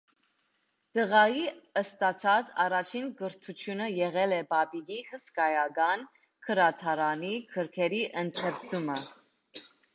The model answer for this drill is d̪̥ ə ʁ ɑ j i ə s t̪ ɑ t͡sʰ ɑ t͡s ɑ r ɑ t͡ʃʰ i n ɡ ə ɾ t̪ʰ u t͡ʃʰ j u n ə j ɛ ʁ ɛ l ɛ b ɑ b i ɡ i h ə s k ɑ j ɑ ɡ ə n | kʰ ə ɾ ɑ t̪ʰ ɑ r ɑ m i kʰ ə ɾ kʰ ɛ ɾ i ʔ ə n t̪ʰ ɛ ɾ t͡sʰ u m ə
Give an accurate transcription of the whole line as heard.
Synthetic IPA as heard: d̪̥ ə ʁ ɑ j i ə s t̪ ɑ t͡sʰ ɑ t͡s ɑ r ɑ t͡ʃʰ i n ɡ ə ɾ t̪ʰ u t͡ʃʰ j u n ə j ɛ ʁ ɛ l ɛ b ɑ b i ɡ i h ə s k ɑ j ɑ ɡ ɑ n | kʰ ə ɾ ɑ t̪ʰ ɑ ɾ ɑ n i kʰ ə ɾ kʰ ɛ ɾ i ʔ ə n t̪ʰ ɛ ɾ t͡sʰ u m ə